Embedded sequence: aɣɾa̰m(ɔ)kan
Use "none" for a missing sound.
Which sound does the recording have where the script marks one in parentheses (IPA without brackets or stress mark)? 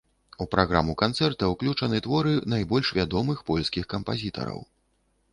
u